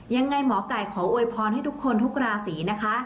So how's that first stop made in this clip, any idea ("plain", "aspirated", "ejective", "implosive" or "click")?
plain